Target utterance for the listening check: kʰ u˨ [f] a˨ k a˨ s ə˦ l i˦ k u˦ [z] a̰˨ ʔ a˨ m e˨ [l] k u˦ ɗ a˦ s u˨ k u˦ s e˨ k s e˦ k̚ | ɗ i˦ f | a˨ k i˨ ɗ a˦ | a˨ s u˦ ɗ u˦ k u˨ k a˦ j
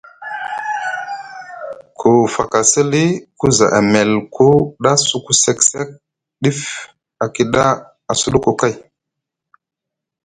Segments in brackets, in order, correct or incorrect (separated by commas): correct, correct, correct